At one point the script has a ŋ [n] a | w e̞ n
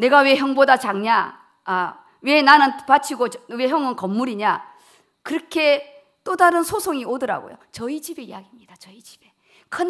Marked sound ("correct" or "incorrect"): incorrect